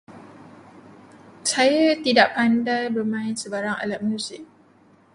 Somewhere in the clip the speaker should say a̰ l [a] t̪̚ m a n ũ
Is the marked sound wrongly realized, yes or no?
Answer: no